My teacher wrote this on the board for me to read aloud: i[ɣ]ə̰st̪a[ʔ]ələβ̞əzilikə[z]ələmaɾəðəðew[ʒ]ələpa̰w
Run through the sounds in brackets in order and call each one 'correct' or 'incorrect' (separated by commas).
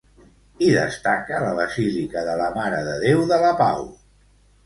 incorrect, incorrect, incorrect, incorrect